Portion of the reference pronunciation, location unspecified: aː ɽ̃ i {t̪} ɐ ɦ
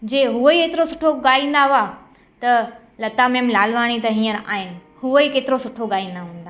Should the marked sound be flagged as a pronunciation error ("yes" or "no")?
no